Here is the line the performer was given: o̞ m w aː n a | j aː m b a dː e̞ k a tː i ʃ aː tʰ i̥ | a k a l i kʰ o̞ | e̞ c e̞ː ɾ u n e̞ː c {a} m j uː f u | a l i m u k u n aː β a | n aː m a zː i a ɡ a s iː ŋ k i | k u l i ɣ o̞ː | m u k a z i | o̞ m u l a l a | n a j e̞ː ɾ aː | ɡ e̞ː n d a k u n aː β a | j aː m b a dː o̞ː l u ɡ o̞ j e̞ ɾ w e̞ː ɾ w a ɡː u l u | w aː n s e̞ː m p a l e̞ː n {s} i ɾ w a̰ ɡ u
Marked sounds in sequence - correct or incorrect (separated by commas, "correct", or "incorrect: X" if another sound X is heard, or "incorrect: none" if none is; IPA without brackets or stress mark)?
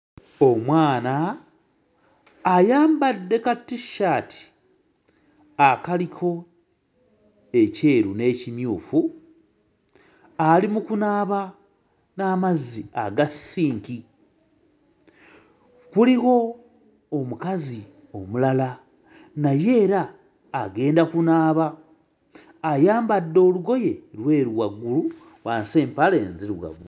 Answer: incorrect: i, incorrect: z